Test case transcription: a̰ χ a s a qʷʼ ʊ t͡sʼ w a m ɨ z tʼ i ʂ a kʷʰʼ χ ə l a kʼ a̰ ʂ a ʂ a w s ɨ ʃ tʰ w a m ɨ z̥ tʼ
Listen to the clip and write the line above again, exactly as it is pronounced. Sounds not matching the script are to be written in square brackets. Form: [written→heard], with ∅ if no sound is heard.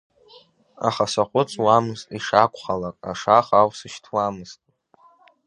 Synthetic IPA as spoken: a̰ χ a s a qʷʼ ʊ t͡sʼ w a m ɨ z tʼ i ʂ a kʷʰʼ χ [ə→a] l a kʼ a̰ ʂ a [ʂ→χ] a w s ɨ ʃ tʰ w a m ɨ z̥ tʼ